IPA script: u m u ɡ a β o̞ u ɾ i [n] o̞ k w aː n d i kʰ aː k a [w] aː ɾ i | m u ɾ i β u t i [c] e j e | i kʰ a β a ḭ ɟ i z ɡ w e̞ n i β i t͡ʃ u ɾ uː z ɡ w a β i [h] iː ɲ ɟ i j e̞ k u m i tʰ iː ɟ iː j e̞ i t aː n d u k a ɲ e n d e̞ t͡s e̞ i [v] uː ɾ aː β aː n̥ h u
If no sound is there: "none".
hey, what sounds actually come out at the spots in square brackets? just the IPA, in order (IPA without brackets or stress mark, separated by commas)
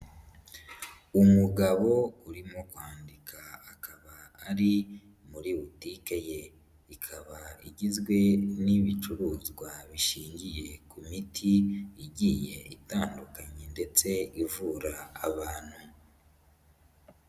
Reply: m, β, k, ʃ, v